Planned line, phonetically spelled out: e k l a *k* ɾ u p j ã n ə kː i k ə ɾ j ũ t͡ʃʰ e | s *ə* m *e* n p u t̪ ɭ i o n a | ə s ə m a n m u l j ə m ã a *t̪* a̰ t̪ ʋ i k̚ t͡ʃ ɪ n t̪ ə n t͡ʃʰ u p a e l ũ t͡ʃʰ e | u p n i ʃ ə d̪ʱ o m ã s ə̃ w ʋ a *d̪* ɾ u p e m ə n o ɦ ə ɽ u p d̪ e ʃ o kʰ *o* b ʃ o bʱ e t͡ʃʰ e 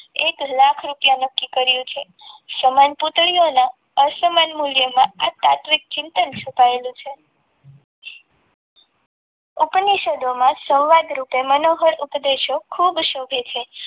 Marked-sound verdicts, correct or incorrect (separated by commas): incorrect, correct, incorrect, correct, correct, incorrect